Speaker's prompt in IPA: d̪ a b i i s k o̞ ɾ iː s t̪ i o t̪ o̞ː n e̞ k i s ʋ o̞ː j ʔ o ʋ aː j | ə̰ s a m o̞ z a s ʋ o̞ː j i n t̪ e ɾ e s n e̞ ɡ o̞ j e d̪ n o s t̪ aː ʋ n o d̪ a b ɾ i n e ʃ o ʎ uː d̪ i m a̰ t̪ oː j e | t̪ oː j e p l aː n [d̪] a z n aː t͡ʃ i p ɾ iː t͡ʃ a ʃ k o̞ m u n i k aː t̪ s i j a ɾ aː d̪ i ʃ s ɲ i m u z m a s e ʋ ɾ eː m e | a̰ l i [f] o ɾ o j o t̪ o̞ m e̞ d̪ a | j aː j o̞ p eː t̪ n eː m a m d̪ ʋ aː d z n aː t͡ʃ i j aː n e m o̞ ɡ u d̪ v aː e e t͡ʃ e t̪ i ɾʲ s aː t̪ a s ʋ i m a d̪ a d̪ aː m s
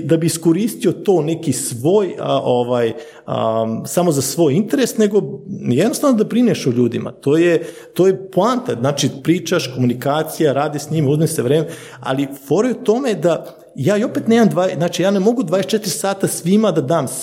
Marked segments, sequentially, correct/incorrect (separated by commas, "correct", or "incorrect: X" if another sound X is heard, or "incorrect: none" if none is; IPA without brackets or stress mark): incorrect: t̪, correct